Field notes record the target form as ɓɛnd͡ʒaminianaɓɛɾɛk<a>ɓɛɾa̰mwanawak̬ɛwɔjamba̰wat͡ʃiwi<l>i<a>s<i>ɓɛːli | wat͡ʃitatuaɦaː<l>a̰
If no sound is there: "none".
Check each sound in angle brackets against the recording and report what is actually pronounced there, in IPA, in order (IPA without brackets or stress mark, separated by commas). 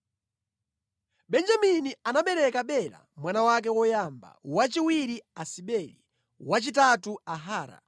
a, ɾ, a, i, ɾ